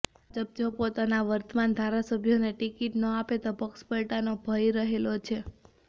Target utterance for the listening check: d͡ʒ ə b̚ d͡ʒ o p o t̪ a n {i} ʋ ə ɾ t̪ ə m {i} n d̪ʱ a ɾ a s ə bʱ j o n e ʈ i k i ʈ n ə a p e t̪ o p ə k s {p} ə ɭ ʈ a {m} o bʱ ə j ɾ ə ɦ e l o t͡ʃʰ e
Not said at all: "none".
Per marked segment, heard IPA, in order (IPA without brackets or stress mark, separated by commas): a, a, p, n